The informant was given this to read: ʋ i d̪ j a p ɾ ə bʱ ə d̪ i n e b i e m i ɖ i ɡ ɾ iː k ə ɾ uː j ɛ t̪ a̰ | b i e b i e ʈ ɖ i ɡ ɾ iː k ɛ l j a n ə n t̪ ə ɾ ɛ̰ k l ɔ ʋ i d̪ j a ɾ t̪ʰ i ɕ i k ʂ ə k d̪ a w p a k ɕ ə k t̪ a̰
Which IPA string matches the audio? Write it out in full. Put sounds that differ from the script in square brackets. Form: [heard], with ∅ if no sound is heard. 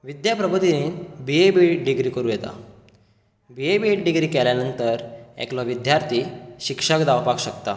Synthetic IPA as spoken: ʋ i d̪ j a p ɾ ə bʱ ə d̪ i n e b i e [b] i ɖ i ɡ ɾ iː k ə ɾ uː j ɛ t̪ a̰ | b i e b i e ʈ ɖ i ɡ ɾ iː k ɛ l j a n ə n t̪ ə ɾ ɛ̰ k l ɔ ʋ i d̪ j a ɾ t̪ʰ i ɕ i k ʂ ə k d̪ a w p a k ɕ ə k t̪ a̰